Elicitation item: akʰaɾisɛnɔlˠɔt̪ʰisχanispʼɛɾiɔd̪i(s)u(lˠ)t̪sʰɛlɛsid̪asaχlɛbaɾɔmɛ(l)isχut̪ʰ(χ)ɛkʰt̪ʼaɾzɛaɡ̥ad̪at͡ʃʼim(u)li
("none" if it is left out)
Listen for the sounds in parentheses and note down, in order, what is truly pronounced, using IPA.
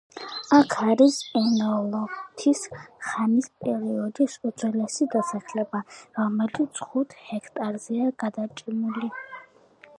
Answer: s, none, l, h, u

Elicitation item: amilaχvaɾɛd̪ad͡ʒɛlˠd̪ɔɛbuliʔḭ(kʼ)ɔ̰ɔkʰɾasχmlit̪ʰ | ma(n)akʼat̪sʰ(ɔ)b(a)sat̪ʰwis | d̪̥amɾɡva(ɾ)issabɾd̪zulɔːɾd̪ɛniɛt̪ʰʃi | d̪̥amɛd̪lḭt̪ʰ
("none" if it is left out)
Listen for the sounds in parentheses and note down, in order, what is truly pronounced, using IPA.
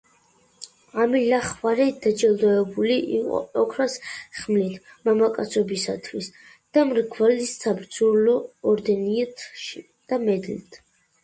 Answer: qʼ, m, ɔ, i, l

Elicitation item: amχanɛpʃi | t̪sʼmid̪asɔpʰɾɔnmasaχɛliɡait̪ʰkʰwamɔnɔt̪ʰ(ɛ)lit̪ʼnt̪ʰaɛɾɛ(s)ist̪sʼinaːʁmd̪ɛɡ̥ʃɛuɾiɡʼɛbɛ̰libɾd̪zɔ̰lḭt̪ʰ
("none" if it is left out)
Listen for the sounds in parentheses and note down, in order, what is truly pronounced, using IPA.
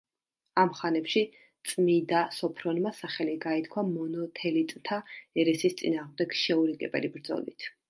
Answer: ɛ, s

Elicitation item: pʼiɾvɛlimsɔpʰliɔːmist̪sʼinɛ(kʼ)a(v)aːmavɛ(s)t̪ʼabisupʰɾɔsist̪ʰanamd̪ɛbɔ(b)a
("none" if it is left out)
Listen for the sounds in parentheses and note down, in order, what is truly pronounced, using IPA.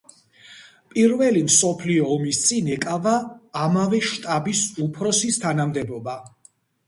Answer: kʼ, v, ʃ, b

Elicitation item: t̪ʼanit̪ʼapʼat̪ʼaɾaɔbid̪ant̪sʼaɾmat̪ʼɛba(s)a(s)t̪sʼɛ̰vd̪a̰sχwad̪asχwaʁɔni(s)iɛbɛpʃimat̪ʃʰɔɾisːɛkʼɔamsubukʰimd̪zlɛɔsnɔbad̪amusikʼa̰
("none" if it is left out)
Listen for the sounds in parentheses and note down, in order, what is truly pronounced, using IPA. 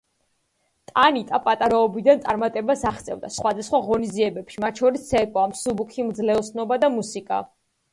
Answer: s, χ, z

